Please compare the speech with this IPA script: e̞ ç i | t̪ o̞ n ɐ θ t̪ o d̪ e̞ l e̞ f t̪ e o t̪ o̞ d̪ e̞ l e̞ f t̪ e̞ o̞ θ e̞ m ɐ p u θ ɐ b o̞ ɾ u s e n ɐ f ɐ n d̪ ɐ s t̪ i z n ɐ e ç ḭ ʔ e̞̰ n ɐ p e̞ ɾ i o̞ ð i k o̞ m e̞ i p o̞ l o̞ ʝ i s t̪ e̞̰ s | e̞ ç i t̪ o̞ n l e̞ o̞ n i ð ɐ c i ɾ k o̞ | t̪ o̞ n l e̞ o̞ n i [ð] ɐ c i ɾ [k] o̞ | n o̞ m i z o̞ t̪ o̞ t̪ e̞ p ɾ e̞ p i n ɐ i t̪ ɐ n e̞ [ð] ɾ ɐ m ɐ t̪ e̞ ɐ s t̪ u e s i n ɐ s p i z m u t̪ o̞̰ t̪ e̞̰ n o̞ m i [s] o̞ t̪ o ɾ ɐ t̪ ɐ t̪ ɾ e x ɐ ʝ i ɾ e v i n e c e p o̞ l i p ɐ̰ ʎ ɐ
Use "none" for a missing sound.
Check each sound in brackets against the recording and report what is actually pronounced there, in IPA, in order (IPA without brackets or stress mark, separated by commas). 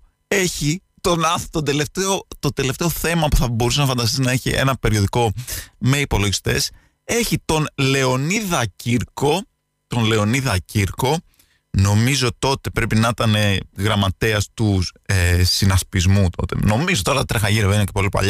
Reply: ð, k, ɣ, z